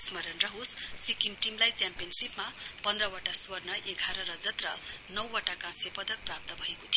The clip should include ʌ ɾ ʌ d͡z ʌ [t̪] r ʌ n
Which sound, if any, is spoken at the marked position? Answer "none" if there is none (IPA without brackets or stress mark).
t̪